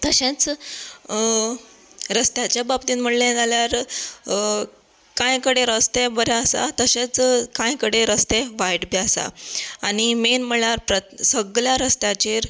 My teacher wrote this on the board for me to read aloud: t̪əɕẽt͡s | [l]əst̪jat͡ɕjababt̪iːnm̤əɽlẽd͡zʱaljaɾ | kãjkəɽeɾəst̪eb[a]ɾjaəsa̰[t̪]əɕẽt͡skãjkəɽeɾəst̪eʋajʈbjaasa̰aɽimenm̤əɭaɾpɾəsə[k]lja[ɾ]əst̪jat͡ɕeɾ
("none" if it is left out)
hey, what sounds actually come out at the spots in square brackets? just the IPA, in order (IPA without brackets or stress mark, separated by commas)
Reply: ɾ, ə, t̪, ɡ, ɾ